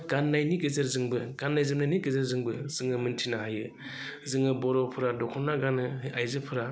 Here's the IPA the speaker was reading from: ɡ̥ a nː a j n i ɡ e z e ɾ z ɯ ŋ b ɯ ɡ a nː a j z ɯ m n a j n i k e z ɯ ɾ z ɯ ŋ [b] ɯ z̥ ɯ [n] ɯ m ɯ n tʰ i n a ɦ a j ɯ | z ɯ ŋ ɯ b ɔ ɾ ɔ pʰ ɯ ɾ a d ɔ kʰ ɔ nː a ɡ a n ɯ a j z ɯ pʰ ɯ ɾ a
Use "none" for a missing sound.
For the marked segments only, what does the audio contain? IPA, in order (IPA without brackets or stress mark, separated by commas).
b, ŋ